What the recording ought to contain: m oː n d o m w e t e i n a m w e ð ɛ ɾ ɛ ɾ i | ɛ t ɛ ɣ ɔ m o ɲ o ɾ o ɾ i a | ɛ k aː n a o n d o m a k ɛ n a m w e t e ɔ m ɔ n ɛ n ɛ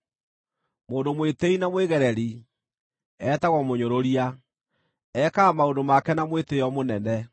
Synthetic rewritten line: m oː n d o m w e t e i n a m w e ɣ ɛ ɾ ɛ ɾ i | ɛ t a ɣ ɔ m o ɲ o ɾ o ɾ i a | ɛ k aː m a o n d o m a k ɛ n a m w e t e ɔ m o n ɛ n ɛ